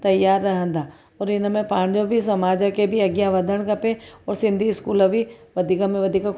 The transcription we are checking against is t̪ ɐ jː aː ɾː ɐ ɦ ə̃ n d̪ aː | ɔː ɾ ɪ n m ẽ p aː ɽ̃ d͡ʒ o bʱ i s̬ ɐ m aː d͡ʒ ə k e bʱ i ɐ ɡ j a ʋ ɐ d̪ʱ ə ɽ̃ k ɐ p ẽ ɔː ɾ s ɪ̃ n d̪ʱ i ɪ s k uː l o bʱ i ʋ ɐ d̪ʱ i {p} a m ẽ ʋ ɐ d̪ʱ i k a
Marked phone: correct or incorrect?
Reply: incorrect